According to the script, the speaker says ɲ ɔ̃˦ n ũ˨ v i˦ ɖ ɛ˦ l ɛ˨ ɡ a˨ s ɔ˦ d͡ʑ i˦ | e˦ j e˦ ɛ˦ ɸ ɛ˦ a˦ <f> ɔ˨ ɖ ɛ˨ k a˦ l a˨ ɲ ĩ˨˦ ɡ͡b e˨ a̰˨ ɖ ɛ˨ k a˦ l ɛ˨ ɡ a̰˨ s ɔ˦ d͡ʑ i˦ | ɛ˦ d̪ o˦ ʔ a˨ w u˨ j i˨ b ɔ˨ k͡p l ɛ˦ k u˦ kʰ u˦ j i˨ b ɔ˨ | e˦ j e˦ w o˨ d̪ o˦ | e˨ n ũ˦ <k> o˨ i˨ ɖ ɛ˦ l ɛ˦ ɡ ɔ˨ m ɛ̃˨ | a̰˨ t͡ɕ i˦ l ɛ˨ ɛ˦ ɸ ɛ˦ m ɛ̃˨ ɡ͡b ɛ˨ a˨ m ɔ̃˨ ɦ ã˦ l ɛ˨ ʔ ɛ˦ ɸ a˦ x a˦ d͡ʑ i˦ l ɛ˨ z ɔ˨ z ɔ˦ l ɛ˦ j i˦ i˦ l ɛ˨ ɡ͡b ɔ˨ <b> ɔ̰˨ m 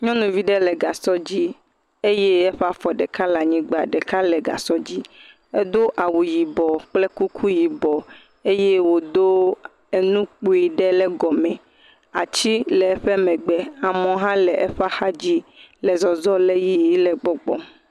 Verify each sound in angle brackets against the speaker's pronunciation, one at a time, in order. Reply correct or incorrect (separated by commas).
correct, incorrect, incorrect